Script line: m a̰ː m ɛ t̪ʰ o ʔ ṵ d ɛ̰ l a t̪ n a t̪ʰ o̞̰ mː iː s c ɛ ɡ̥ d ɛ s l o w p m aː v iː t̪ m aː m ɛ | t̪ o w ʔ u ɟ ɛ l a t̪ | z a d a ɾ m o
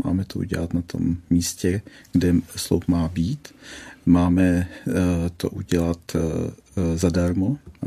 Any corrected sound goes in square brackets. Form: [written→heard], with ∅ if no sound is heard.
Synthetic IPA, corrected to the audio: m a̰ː m ɛ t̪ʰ o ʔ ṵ [d→ɟ] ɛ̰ l a t̪ n a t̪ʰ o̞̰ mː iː s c ɛ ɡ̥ d ɛ s l o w p m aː [v→b] iː t̪ m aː m ɛ | t̪ o [w→∅] ʔ u ɟ ɛ l a t̪ | z a d a ɾ m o